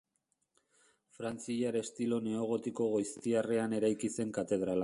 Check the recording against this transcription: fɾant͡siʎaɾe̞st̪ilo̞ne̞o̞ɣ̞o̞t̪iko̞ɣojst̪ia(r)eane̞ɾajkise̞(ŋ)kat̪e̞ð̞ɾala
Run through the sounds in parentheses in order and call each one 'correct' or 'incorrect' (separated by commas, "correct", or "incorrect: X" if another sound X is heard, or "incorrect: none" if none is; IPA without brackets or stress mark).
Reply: correct, correct